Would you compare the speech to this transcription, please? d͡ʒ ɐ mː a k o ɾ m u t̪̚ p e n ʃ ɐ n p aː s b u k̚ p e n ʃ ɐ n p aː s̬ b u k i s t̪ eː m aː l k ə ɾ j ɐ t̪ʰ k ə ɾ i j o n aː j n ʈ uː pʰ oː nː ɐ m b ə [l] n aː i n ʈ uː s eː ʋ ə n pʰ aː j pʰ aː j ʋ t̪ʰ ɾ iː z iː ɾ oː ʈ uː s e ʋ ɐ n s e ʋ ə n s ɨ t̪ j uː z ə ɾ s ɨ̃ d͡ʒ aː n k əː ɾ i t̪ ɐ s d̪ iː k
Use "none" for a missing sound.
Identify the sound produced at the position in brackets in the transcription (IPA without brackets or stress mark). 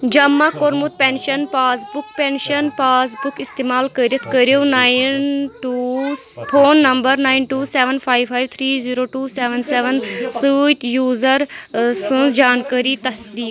ɾ